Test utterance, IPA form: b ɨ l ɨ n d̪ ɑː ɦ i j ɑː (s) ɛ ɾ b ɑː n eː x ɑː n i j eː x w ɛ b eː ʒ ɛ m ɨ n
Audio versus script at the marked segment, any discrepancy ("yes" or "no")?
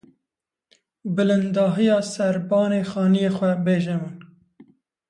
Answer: no